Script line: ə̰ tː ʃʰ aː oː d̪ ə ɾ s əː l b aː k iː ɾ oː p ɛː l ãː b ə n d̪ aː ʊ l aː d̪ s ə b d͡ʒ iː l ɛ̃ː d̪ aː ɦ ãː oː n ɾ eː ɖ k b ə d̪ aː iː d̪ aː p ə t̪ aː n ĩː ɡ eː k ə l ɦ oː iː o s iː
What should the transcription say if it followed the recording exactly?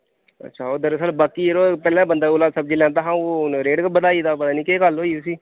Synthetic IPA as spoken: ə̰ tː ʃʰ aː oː d̪ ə ɾ s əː l b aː k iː ɾ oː p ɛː l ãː b ə n d̪ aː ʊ l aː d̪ s ə b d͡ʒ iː l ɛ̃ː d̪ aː ɦ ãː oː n ɾ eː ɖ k b ə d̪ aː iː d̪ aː p ə t̪ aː n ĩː k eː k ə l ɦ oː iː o s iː